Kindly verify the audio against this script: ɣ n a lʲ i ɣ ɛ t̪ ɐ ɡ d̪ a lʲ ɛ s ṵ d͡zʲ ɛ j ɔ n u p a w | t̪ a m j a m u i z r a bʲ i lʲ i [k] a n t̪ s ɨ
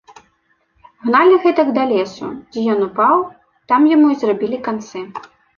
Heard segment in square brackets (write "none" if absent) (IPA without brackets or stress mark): k